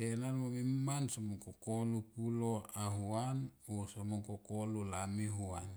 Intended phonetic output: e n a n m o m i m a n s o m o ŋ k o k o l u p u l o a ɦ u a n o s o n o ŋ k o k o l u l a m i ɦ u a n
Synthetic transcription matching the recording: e n a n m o m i m a n s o m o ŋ k o k o l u p u l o a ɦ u a n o s o m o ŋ k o k o l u l a m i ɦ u a n

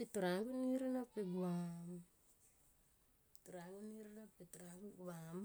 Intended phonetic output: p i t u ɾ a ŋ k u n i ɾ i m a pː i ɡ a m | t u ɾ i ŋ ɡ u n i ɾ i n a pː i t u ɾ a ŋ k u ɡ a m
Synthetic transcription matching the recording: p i t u ɾ a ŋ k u n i ɾ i n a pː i ɡ a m | t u ɾ a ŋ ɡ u n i ɾ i n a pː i t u ɾ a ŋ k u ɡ a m

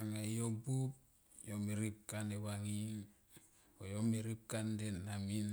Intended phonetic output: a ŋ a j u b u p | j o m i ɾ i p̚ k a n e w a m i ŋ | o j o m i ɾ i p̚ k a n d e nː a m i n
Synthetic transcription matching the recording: a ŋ a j o b u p | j o m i ɾ i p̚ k a n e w a ŋ i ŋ | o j o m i ɾ i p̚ k a n d e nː a m i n

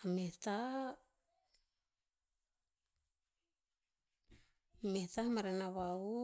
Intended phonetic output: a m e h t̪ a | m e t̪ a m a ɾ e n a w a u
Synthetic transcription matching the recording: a m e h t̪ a | m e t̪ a m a ɾ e n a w a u

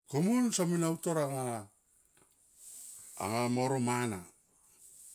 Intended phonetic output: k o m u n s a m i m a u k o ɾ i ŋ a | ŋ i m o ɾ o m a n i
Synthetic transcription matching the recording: k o m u n s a m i n a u t o ɾ a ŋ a | ŋ a m o ɾ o m a n a

